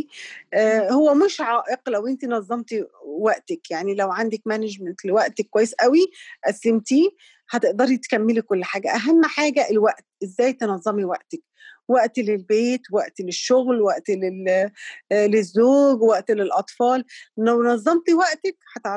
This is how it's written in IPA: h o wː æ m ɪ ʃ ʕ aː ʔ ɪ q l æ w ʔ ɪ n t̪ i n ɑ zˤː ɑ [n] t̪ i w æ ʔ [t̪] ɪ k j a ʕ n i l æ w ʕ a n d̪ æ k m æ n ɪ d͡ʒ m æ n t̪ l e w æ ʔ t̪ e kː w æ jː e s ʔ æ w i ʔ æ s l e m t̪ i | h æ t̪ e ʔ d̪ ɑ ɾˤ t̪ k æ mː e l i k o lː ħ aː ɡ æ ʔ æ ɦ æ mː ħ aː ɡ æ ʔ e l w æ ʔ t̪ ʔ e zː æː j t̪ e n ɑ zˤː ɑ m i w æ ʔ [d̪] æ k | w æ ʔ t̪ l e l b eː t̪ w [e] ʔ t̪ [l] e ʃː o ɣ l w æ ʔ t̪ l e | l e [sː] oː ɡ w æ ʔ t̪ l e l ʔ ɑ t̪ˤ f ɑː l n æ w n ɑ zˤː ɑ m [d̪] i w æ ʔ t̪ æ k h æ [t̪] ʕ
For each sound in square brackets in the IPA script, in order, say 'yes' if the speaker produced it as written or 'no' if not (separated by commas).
no, yes, no, no, yes, no, no, yes